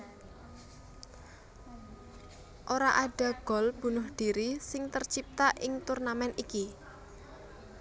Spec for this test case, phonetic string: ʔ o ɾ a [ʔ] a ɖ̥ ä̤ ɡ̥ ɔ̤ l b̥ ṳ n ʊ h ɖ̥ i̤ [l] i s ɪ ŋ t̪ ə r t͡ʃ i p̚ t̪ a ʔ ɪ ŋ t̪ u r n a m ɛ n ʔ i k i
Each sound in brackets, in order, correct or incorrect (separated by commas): correct, incorrect